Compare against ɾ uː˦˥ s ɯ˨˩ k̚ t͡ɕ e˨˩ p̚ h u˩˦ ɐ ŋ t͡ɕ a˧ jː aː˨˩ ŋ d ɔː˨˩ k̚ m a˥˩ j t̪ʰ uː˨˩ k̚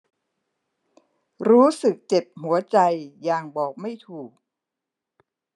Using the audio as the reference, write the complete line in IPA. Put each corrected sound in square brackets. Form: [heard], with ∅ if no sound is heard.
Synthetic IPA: ɾ uː˦˥ s ɯ˨˩ k̚ t͡ɕ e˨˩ p̚ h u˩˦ ɐ [∅] t͡ɕ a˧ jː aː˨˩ ŋ [b] ɔː˨˩ k̚ m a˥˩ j t̪ʰ uː˨˩ k̚